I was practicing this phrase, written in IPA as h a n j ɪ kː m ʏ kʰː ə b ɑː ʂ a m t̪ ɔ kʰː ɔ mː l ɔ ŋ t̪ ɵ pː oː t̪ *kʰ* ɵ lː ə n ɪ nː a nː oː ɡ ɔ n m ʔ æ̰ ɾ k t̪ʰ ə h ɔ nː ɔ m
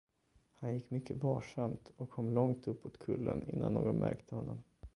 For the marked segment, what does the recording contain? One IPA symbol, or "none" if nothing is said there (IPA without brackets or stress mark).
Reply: kʰ